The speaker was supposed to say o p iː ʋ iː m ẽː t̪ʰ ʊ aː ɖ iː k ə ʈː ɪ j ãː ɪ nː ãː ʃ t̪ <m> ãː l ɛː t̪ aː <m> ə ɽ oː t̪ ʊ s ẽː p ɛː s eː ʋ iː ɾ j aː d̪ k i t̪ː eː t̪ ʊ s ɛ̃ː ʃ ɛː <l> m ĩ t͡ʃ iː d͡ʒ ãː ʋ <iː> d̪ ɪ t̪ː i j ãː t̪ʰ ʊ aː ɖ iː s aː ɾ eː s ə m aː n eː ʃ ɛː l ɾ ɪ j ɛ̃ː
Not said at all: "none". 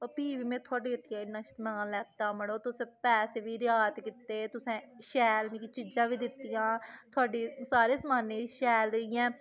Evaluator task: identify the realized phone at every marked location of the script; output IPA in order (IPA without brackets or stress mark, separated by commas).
m, m, l, iː